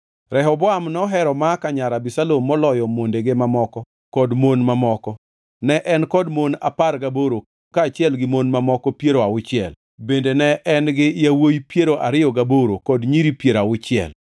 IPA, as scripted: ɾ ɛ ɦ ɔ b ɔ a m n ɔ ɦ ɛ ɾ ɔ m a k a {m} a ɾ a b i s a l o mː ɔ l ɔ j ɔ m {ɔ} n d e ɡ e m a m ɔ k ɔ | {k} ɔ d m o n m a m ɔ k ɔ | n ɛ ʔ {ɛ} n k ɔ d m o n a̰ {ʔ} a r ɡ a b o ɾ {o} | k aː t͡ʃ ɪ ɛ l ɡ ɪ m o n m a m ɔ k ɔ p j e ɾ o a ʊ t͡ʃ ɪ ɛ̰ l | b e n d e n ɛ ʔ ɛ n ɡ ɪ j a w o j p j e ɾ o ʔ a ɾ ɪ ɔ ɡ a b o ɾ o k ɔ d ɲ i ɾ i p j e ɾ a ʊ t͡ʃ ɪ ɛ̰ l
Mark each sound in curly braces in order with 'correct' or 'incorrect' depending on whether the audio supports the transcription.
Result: incorrect, incorrect, correct, correct, incorrect, correct

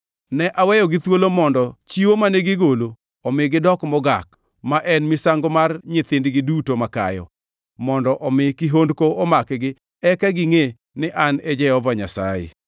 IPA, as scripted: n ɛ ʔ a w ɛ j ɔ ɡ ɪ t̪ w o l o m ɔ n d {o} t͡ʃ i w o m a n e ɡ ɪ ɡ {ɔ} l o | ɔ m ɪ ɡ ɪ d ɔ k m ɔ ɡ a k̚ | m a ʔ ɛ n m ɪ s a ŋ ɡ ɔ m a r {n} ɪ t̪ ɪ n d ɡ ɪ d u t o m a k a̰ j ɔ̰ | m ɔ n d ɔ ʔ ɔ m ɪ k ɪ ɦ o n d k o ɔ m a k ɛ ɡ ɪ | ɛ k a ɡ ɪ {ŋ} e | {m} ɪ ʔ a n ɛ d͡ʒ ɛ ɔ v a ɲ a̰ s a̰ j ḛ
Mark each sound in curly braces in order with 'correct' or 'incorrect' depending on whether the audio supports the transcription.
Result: incorrect, incorrect, incorrect, correct, incorrect

